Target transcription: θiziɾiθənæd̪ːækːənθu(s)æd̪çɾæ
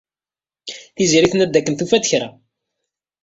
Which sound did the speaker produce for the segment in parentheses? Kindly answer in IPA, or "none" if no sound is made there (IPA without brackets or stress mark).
f